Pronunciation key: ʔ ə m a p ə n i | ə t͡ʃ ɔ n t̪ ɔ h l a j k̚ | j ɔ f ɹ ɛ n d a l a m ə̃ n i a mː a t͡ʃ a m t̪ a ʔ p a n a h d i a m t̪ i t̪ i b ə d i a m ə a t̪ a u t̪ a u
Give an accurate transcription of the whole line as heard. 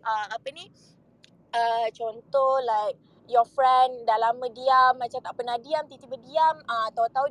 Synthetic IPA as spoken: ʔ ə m a p ə n i | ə t͡ʃ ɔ n t̪ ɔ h l a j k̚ | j ɔ f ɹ ɛ n d a l a m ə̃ d i a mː a t͡ʃ a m t̪ a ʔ p ə n a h d i a m t̪ i t̪ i b ə d i a m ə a t̪ a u t̪ a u